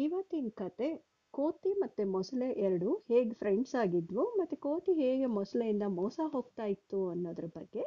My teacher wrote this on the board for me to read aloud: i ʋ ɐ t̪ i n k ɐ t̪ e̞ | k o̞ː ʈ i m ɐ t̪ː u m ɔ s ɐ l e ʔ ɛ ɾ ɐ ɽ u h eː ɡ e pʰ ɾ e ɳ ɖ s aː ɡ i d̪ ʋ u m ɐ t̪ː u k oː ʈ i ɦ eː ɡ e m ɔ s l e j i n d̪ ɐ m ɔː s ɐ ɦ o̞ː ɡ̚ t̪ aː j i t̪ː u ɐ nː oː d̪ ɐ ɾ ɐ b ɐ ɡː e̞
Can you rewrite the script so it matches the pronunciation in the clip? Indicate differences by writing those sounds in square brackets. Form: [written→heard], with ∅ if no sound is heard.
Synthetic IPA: i ʋ ɐ t̪ i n k ɐ t̪ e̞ | k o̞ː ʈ i m ɐ t̪ː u m ɔ s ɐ l e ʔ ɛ ɾ ɐ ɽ u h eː ɡ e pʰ ɾ e ɳ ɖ s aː ɡ i d̪ ʋ u m ɐ t̪ː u k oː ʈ i ɦ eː ɡ e m ɔ s l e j i n d̪ ɐ m ɔː s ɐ ɦ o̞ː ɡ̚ t̪ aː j i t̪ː u ɐ nː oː d̪ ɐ ɾ ɐ b ɐ ɡː e̞